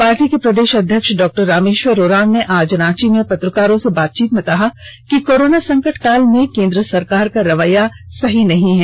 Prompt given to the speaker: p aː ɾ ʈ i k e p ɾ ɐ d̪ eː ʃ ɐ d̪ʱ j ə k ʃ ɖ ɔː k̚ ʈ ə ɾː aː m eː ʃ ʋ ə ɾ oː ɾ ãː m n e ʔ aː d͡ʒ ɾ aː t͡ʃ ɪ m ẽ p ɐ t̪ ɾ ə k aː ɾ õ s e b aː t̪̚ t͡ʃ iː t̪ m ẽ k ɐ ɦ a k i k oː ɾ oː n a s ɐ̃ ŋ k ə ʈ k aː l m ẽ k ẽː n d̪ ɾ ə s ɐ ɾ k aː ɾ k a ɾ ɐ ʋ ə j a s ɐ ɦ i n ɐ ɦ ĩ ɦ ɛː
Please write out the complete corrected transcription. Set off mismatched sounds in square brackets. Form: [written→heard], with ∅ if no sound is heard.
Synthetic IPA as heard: p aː ɾ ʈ i k e p ɾ ɐ d̪ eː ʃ ɐ d̪ʱ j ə k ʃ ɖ ɔː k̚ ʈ ə ɾː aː m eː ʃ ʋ ə ɾ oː ɾ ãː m n e ʔ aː d͡ʒ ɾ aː t͡ʃ [ɪ→i] m ẽ p ɐ t̪ ɾ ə k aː ɾ õ s e b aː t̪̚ t͡ʃ iː t̪ m ẽ k ɐ ɦ a k i k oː ɾ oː n a s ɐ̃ ŋ k ə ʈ k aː l m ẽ k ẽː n d̪ ɾ ə s ɐ ɾ k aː ɾ k a ɾ ɐ ʋ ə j a s ɐ ɦ i n ɐ ɦ ĩ ɦ ɛː